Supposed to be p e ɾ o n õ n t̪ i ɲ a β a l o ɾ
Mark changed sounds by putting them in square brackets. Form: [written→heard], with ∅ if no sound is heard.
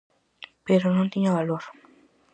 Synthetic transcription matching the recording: p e ɾ o n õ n t̪ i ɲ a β a l o ɾ

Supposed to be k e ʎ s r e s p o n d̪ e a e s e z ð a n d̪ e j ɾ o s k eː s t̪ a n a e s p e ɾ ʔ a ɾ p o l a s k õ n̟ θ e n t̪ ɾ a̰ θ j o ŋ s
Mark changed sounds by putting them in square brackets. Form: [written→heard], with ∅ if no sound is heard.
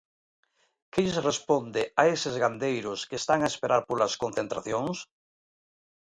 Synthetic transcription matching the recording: k e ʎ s r e s p o n d̪ e a e s e z [ð→ɣ] a n d̪ e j ɾ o s k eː s t̪ a [n→ŋ] a e s p e ɾ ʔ a ɾ p o l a s k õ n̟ θ e n t̪ ɾ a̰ θ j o ŋ s

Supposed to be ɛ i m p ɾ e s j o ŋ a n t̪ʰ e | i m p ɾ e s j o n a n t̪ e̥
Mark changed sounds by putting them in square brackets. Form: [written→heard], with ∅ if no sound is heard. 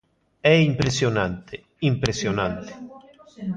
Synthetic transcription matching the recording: ɛ i m p ɾ e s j o [ŋ→n] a n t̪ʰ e | i m p ɾ e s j o n a n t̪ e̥

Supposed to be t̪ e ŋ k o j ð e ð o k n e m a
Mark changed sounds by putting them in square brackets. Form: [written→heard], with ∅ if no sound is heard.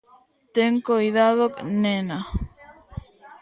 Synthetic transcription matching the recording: t̪ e ŋ k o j ð [e→a] ð o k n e [m→n] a

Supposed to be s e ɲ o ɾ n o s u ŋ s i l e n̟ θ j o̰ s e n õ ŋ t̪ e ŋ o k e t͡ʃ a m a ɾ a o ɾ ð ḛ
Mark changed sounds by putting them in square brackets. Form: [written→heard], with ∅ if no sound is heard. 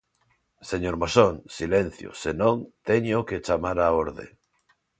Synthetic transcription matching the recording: s e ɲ o ɾ [n→m] o s [u→o] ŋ s i l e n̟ θ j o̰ s e n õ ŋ t̪ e [ŋ→ɲ] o k e t͡ʃ a m a ɾ a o ɾ ð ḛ

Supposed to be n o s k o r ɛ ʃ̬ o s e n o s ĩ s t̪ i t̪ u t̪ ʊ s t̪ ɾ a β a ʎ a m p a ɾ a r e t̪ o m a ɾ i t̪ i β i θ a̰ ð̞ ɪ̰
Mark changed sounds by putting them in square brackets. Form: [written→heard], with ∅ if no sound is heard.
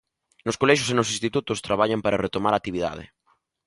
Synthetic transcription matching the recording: n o s k o [r→l] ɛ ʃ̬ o s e n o s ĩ s t̪ i t̪ u t̪ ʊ s t̪ ɾ a β a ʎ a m p a ɾ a r e t̪ o m a ɾ [i→a] t̪ i β i [θ→ð] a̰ ð̞ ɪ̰

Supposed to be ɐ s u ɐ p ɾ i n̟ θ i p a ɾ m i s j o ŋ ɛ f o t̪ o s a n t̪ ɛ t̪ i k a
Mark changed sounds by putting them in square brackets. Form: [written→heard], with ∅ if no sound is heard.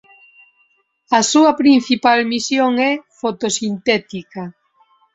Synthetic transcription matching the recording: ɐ s u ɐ p ɾ i n̟ θ i p a [ɾ→l] m i s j o ŋ ɛ f o t̪ o s [a→i] n t̪ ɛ t̪ i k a

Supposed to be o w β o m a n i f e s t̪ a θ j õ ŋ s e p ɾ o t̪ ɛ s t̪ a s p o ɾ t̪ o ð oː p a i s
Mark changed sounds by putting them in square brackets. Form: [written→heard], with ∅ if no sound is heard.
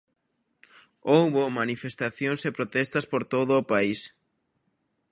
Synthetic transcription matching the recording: o w β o m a n i f e s t̪ a θ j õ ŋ s e p ɾ o t̪ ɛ s t̪ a s p o ɾ t̪ o ð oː p a i s

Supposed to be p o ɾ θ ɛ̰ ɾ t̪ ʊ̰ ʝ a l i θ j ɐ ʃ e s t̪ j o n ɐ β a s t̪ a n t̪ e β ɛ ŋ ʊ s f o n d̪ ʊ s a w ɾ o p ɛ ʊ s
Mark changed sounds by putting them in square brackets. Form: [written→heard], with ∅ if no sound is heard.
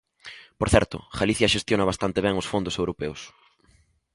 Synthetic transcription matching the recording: p o ɾ θ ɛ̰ ɾ t̪ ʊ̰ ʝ a l i θ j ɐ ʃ e s t̪ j o n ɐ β a s t̪ a n t̪ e β ɛ ŋ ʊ s f o n d̪ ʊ s [a→e] w ɾ o p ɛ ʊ s

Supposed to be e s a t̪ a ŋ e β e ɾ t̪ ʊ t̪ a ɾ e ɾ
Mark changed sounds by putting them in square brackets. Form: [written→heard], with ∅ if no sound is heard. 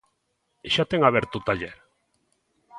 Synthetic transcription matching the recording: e [s→ʃ] a t̪ [a→e] ŋ [e→a] β e ɾ t̪ [ʊ→u] t̪ a [ɾ→ʎ] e ɾ

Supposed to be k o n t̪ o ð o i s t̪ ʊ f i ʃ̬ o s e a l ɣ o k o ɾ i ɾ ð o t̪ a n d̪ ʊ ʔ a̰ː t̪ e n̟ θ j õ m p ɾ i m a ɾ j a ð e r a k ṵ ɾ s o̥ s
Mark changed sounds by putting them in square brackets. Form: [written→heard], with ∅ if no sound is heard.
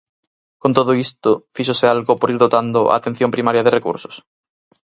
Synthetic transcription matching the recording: k o n t̪ o ð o i s t̪ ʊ f i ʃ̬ o s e a l ɣ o [k→p] o ɾ i ɾ ð o t̪ a n d̪ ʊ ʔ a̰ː t̪ e n̟ θ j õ m p ɾ i m a ɾ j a ð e r [a→e] k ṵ ɾ s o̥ s

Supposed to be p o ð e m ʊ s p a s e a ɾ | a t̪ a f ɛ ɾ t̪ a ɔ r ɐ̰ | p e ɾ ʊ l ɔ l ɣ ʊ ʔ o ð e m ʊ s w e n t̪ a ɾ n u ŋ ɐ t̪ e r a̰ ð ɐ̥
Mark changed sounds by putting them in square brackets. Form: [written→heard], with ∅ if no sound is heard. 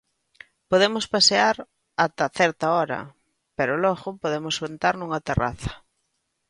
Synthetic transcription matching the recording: p o ð e m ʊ s p a s e a ɾ | a t̪ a [f→θ] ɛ ɾ t̪ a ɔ [r→ɾ] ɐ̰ | p e ɾ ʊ l ɔ [l→∅] ɣ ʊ [ʔ→p] o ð e m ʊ s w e n t̪ a ɾ n u ŋ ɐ t̪ e r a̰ [ð→θ] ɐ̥

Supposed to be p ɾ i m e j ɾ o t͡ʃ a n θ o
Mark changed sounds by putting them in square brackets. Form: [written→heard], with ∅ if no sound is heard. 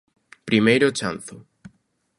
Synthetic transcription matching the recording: p ɾ i m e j ɾ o t͡ʃ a n θ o

